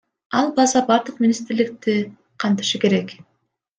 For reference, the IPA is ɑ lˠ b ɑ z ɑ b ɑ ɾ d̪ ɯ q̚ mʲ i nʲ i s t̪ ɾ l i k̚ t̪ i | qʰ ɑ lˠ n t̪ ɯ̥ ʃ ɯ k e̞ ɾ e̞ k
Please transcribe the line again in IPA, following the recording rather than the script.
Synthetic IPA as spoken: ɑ lˠ b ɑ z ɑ b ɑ ɾ d̪ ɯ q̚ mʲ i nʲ i s t̪ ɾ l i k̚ t̪ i | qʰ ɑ n t̪ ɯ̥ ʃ ɯ k e̞ ɾ e̞ k

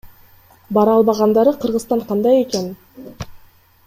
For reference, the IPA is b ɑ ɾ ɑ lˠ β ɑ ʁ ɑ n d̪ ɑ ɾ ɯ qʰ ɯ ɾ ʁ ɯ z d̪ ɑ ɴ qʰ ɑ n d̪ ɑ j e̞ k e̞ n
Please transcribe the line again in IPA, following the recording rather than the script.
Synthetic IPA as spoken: b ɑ ɾ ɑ lˠ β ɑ ʁ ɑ n d̪ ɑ ɾ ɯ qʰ ɯ ɾ ʁ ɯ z t̪ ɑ ɴ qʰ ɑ n d̪ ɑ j e̞ k e̞ n

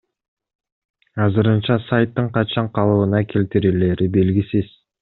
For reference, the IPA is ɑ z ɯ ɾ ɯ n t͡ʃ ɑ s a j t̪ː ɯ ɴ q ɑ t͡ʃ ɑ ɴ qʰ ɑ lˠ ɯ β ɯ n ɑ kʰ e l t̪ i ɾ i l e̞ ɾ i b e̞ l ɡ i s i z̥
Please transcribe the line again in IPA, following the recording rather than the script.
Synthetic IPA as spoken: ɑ z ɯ ɾ ɯ n t͡ʃ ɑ s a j t̪ː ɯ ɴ q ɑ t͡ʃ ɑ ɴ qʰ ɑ lˠ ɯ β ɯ n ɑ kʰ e l t̪ i ɾ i l e̞ ɾ i b e̞ l ɡ i s i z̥

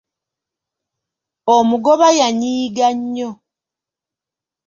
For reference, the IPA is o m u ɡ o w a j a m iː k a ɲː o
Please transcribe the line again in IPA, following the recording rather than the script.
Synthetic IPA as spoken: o m u ɡ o β a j a ɲ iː ɡ a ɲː o

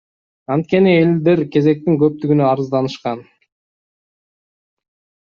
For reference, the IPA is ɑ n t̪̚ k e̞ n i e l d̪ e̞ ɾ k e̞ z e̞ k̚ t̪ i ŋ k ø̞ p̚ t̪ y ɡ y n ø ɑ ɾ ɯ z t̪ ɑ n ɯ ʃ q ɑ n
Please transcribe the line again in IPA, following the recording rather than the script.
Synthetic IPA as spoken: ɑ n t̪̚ k e̞ n i e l d̪ e̞ ɾ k e̞ z e̞ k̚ t̪ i ŋ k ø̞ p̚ t̪ y ɡ y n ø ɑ ɾ ɯ z d̪ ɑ n ɯ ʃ q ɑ n

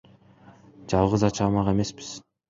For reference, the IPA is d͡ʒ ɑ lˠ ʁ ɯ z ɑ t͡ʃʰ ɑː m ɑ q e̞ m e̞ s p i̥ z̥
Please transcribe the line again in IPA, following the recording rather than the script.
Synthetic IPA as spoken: d͡ʒ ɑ lˠ ʁ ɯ z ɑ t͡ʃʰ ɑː m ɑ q e̞ m e̞ s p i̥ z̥

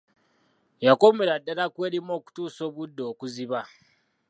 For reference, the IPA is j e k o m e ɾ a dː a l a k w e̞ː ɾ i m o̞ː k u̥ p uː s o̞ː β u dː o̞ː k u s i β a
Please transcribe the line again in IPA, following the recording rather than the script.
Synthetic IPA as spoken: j a k o m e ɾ a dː a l a k w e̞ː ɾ i m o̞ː k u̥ t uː s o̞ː β u dː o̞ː k u z i β a

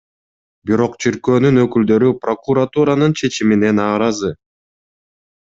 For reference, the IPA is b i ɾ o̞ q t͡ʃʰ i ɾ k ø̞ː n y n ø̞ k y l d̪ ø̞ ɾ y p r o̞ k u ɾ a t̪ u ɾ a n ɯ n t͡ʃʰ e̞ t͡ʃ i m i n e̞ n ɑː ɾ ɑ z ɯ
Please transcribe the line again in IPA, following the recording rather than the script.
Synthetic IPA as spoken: b i ɾ o̞ q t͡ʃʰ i ɾ k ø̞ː n y n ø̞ k y l d̪ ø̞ ɾ y p r o̞ k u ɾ a t̪ u ɾ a n ɯ n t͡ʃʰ e̞ t͡ʃ i m i n e̞ n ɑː ɾ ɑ z ɯ

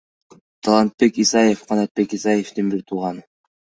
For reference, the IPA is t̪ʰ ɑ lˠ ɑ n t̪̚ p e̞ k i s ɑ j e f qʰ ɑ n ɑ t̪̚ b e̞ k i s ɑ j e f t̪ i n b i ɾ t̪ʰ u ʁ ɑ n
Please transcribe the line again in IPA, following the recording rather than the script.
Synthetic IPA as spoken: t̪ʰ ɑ lˠ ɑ n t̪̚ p e̞ k i s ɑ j e f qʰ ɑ n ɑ t̪̚ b e̞ k i s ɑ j e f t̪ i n b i ɾ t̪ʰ u ʁ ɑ n

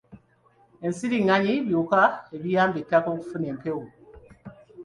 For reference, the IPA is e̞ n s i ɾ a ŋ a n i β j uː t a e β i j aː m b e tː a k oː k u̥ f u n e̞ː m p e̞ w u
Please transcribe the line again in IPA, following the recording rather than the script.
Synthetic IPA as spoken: e̞ n s i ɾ i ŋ a ɲ i β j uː k a e β i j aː m b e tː a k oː k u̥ f u n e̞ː m p e̞ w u

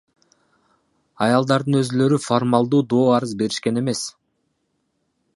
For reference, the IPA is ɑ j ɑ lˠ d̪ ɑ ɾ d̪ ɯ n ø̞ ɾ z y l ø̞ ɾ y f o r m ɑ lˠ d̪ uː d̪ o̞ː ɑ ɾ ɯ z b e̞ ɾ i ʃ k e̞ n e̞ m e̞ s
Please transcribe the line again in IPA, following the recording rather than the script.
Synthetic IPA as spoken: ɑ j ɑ lˠ d̪ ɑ ɾ d̪ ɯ n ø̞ z y l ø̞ ɾ y f o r m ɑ lˠ d̪ uː d̪ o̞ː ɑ ɾ ɯ z b e̞ ɾ i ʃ k e̞ n e̞ m e̞ s

